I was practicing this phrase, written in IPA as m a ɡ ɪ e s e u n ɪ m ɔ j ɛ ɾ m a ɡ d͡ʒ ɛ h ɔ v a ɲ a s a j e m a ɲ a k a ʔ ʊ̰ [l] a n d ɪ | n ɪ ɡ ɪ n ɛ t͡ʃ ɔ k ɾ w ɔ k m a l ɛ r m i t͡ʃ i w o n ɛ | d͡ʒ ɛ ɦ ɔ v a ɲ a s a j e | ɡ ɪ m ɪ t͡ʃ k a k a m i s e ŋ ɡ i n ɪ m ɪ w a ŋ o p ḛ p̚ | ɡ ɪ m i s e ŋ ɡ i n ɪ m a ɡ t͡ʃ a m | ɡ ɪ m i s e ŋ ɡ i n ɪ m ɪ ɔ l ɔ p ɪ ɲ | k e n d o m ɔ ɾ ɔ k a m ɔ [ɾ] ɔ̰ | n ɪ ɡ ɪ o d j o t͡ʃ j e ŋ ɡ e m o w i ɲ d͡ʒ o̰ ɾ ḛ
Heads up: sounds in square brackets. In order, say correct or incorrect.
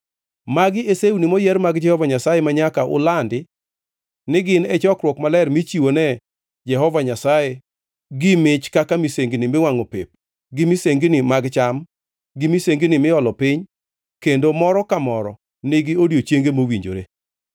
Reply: correct, correct

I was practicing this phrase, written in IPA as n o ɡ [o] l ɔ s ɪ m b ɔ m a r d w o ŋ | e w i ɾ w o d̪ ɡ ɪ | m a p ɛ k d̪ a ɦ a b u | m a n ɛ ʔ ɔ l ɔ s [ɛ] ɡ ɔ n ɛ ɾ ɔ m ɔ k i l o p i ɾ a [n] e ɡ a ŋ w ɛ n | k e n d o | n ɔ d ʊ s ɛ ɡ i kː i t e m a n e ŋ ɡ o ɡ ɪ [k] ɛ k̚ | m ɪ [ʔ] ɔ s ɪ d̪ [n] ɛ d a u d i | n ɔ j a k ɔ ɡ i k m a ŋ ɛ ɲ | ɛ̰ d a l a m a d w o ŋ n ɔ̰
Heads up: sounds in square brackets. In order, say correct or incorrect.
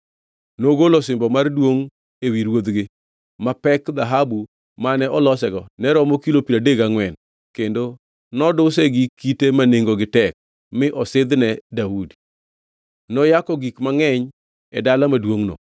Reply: correct, correct, incorrect, incorrect, correct, correct

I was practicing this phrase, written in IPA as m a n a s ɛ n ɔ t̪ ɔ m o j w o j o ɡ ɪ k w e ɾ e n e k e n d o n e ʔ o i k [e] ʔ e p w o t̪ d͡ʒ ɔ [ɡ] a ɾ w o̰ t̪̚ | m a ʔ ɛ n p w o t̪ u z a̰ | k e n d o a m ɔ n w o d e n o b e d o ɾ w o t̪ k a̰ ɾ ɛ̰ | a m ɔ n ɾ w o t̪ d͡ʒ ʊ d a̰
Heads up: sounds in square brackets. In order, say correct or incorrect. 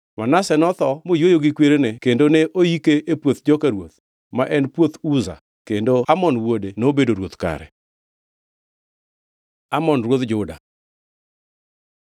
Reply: correct, incorrect

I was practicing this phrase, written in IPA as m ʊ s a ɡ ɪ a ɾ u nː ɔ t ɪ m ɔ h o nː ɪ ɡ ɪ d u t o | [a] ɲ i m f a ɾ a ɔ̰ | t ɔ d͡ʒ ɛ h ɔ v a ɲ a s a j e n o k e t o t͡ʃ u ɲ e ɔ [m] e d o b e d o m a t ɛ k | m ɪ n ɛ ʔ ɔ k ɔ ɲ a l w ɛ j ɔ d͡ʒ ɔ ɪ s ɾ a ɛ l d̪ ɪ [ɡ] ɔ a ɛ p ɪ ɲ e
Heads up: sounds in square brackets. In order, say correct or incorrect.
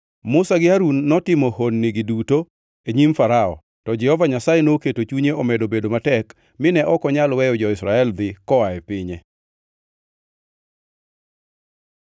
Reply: incorrect, correct, incorrect

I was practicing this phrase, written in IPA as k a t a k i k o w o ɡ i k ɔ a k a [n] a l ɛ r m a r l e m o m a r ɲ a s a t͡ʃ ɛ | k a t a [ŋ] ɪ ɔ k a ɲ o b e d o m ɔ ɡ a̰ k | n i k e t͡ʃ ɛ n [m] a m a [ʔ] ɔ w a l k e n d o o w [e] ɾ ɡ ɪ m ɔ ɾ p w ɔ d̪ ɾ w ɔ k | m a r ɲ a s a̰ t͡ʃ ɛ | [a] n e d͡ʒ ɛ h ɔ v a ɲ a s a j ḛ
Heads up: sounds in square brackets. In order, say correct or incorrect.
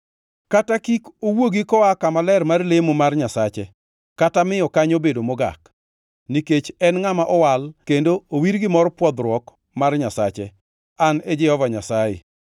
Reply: incorrect, incorrect, incorrect, correct, incorrect, correct

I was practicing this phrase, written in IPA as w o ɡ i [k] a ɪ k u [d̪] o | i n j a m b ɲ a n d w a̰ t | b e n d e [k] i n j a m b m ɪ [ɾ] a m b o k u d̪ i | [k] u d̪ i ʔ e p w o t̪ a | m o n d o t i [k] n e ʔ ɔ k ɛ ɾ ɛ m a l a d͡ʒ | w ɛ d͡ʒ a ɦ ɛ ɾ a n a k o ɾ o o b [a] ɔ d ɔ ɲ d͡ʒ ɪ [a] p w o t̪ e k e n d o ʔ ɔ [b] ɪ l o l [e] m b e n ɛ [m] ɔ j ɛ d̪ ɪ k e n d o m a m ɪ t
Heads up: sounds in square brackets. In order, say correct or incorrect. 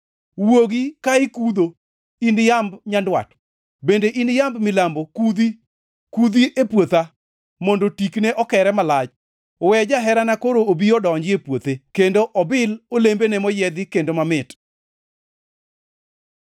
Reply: correct, correct, incorrect, incorrect, correct, correct, incorrect, incorrect, correct, correct, correct

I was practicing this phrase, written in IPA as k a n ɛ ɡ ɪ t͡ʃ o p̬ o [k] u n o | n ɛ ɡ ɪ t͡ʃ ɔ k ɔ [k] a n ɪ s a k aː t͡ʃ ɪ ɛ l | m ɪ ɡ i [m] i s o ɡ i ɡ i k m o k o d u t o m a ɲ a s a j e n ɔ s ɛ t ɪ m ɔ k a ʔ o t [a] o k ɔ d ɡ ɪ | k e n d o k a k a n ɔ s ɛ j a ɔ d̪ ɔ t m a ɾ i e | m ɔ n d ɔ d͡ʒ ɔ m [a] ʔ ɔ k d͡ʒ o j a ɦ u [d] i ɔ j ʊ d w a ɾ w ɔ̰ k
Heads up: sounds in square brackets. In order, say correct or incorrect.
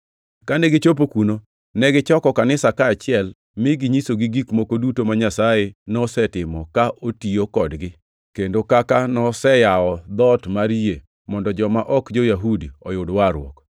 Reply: correct, correct, incorrect, incorrect, correct, correct

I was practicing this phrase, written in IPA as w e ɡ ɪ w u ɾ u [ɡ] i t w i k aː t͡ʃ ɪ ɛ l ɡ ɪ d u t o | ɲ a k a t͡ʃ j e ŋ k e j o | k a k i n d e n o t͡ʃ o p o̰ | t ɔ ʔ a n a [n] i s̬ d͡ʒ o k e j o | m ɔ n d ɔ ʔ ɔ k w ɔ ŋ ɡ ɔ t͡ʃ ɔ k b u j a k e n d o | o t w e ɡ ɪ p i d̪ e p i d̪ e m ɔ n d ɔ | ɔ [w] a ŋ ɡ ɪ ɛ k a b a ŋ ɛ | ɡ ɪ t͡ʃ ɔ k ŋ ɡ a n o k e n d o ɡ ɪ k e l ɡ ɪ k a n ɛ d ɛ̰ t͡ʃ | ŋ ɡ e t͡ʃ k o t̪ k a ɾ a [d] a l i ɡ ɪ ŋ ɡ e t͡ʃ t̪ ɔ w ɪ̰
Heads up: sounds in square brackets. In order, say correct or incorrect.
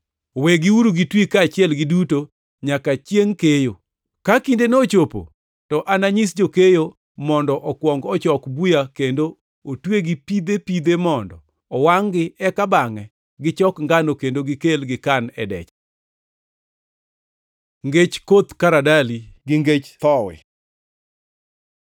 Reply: correct, incorrect, correct, correct

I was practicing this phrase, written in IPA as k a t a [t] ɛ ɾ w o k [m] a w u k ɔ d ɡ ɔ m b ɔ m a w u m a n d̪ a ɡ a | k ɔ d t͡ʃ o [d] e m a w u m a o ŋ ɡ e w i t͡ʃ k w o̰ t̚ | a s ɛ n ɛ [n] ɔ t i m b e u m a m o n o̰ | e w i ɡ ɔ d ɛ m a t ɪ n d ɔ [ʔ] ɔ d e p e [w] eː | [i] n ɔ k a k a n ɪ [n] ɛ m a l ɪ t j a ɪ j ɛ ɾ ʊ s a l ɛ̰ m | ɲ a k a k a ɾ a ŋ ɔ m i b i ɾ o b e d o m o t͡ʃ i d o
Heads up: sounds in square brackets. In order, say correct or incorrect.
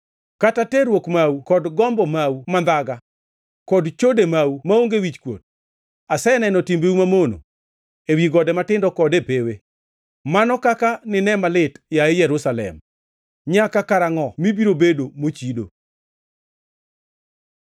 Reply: correct, correct, correct, correct, incorrect, correct, incorrect, correct

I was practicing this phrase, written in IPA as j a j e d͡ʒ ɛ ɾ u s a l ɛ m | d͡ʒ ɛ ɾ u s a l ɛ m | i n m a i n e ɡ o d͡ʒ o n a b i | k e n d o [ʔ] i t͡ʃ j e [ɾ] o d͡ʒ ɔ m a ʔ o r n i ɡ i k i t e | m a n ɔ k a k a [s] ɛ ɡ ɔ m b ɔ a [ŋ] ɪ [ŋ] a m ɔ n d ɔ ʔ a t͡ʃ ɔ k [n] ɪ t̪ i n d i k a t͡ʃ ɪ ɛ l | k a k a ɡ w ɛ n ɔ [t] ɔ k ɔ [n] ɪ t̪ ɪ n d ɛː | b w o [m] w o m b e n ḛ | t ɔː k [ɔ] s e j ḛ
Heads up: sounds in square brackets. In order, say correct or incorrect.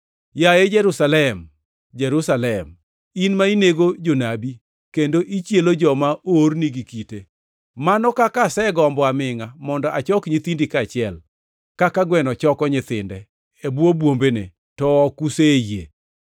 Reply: correct, incorrect, correct, incorrect, correct, incorrect, incorrect, incorrect, incorrect, incorrect

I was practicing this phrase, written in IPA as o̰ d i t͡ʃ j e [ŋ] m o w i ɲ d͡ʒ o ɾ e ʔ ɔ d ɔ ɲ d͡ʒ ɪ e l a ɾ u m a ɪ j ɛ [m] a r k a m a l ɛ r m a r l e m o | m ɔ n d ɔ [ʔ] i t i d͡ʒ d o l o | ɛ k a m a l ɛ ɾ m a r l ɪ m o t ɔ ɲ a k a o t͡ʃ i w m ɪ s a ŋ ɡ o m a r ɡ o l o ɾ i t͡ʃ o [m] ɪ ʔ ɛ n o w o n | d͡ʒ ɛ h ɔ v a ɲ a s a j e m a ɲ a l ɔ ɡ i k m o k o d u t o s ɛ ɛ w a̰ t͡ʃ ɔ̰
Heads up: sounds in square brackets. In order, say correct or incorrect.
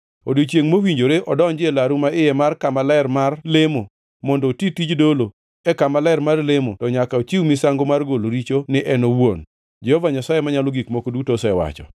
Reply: correct, correct, incorrect, incorrect

